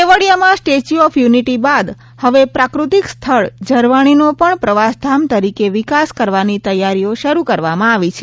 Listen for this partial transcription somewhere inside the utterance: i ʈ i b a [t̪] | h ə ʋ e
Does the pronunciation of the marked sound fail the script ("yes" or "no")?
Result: yes